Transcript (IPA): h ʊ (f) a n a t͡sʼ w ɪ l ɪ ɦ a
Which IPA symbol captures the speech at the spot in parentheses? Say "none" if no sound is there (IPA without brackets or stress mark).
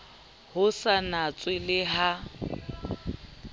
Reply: s